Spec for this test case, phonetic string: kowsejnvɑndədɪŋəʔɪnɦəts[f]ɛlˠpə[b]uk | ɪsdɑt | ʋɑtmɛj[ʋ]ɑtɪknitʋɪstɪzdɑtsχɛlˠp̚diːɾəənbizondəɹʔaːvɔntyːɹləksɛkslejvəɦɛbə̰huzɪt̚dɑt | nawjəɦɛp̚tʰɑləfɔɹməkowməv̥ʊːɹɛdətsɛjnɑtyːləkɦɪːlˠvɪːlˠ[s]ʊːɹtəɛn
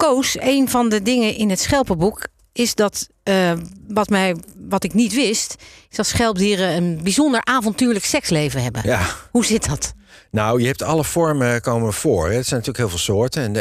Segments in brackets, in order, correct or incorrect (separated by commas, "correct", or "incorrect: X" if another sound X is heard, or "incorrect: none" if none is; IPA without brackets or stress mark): incorrect: χ, correct, correct, correct